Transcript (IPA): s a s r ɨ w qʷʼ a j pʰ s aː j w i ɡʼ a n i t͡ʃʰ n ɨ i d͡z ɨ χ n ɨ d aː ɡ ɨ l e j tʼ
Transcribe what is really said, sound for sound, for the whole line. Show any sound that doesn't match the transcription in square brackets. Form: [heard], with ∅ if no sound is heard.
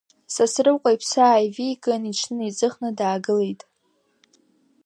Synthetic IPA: s a s r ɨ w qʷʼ a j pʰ s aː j [v] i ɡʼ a n i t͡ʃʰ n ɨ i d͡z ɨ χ n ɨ d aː ɡ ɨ l e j tʼ